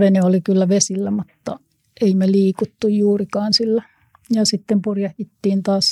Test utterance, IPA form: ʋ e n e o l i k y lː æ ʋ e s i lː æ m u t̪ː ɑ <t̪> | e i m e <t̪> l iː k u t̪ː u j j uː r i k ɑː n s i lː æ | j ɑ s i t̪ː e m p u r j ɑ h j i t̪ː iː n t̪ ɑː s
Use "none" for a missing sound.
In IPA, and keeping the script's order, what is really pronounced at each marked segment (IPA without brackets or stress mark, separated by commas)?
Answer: none, none